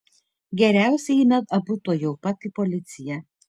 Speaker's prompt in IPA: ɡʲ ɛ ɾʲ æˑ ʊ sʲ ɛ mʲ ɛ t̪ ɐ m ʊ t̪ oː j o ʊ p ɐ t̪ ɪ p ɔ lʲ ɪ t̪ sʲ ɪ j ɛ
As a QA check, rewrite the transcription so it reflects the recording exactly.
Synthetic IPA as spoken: ɡʲ ɛ ɾʲ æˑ ʊ sʲ ɛ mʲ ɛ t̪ ɐ b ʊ t̪ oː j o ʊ p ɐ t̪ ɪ p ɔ lʲ ɪ t̪ sʲ ɪ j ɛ